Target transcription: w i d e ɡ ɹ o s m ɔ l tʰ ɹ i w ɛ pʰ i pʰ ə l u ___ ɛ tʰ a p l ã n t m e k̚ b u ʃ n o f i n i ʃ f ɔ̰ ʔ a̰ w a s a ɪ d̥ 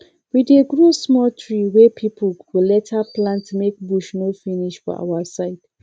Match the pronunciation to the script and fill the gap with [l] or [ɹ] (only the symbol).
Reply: l